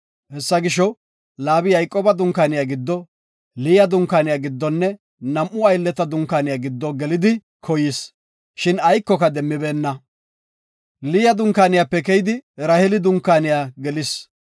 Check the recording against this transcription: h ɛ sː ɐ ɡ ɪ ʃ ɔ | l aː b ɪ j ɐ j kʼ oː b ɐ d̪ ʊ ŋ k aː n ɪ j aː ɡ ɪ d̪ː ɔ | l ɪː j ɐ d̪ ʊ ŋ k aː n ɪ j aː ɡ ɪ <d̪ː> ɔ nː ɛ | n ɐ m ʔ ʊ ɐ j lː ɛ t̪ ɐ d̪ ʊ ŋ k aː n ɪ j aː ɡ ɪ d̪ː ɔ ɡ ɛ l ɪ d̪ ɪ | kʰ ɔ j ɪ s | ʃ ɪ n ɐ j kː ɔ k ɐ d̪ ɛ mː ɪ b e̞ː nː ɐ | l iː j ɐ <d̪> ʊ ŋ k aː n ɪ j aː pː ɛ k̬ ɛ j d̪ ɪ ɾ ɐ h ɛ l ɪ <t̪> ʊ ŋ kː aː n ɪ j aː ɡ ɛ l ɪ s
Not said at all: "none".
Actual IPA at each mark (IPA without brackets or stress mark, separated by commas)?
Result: d̪ː, d̪, d̪